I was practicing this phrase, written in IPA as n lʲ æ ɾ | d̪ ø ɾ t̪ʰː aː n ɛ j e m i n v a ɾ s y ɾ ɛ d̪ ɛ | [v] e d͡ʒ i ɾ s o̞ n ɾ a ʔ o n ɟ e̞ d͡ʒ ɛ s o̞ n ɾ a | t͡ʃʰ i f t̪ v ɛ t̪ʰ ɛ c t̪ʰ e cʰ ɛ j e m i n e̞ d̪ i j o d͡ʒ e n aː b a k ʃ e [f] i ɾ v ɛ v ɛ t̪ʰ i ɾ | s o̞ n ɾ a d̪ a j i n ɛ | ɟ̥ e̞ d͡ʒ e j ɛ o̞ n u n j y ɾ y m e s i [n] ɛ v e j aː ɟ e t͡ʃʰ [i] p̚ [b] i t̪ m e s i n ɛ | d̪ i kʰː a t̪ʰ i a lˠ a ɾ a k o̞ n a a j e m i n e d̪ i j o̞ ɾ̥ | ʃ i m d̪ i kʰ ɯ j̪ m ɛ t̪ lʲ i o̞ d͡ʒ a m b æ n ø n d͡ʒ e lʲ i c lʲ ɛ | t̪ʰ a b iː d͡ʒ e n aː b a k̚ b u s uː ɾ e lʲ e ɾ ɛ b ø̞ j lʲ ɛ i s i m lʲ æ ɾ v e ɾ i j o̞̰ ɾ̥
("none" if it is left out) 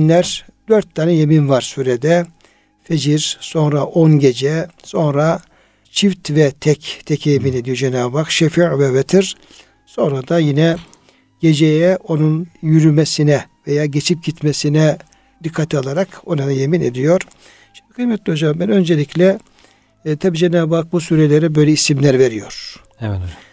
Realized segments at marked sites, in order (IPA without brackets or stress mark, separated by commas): f, f, n, i, ɟ